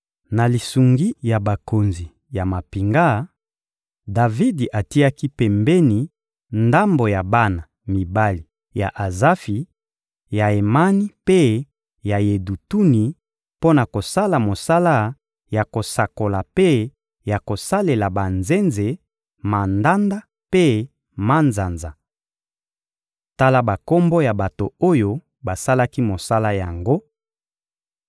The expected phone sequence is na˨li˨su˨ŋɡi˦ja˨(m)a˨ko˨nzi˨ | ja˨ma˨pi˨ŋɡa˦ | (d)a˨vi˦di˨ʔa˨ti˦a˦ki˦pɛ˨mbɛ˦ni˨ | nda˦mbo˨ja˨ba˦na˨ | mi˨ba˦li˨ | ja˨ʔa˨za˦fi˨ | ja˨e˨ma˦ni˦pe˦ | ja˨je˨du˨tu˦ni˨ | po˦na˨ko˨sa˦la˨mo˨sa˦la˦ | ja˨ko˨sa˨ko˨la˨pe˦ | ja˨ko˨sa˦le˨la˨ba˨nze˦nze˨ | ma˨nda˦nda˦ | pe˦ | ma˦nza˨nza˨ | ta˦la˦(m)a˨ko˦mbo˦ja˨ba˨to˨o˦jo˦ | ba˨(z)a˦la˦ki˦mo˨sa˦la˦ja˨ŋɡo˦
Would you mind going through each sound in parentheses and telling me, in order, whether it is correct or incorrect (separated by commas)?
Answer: incorrect, correct, incorrect, incorrect